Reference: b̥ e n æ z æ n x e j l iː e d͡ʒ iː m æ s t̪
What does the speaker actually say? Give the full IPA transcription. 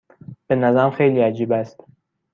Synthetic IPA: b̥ e n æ z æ m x e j l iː æ d͡ʒ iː b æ s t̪